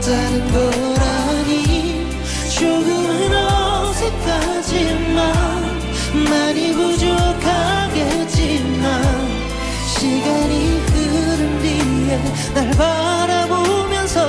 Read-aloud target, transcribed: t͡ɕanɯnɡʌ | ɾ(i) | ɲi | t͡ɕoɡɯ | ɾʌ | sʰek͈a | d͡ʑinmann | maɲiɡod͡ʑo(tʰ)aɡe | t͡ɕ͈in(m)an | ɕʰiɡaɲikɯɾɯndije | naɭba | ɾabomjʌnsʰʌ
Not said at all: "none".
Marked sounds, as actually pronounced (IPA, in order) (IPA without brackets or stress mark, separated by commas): a, kʰ, m